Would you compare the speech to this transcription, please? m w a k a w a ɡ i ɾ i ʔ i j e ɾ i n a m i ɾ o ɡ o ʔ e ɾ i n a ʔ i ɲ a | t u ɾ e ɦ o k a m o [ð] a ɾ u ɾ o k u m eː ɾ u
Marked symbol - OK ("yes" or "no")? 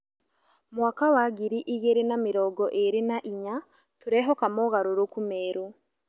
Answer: no